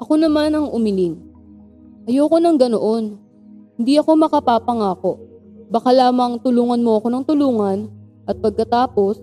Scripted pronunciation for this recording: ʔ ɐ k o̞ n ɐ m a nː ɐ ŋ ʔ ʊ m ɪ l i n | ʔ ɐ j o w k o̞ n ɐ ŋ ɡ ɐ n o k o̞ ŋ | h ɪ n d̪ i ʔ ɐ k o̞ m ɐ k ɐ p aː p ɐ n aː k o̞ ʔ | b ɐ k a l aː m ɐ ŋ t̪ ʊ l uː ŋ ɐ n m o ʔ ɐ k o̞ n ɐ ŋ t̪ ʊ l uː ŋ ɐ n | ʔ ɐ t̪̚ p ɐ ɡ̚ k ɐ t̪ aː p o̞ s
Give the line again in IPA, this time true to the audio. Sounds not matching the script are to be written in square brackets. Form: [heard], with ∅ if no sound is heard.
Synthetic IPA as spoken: ʔ ɐ k o̞ n ɐ m a [n] ɐ ŋ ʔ ʊ m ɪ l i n | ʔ ɐ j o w k o̞ n ɐ ŋ ɡ ɐ n o [ʔ] o̞ [n] | h ɪ n d̪ i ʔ ɐ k o̞ m ɐ k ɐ p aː p ɐ [ŋ] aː k o̞ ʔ | b ɐ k a l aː m ɐ ŋ t̪ ʊ l uː ŋ ɐ n m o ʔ ɐ k o̞ n ɐ ŋ t̪ ʊ l uː ŋ ɐ n | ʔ ɐ t̪̚ p ɐ ɡ̚ k ɐ t̪ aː p o̞ s